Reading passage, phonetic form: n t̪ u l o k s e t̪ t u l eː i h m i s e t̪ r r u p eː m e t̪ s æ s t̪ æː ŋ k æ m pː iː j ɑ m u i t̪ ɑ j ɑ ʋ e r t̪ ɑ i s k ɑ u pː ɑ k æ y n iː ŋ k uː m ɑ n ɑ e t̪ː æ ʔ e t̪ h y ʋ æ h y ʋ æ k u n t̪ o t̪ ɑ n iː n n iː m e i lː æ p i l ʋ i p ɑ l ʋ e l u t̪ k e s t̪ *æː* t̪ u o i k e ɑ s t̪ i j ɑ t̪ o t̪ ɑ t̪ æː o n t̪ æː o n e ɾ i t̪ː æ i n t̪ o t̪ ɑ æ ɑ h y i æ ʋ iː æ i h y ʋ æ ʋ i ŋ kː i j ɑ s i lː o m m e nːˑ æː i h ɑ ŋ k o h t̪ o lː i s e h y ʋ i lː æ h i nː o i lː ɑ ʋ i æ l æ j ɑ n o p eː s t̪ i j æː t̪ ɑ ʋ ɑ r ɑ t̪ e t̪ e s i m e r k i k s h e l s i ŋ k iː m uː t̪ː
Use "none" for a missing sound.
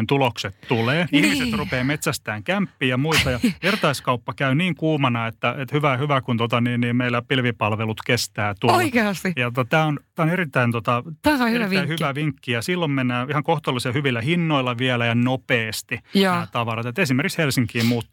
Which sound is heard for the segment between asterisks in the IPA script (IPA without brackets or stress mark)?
æː